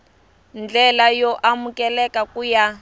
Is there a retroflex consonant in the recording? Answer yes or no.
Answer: no